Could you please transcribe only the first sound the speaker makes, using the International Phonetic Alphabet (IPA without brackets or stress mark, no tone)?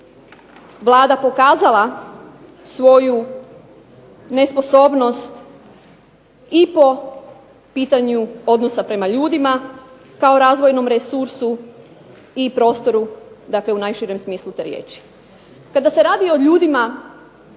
ʋ